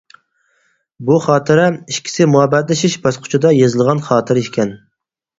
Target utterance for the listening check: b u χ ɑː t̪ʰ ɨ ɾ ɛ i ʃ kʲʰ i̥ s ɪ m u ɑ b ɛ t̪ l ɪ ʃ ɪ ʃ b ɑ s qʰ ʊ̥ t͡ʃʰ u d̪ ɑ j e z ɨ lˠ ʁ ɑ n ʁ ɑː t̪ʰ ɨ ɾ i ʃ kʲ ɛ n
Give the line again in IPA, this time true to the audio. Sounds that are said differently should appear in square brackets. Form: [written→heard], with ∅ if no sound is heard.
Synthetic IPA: b u χ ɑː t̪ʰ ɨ ɾ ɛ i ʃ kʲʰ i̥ s ɪ m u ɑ b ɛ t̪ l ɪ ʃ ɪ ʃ b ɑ s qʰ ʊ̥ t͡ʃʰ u d̪ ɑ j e z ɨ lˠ ʁ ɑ n [ʁ→χ] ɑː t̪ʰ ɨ ɾ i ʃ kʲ ɛ n